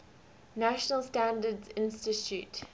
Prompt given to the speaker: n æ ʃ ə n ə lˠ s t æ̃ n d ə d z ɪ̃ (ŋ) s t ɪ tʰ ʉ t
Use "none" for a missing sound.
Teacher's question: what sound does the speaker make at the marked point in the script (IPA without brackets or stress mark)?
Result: n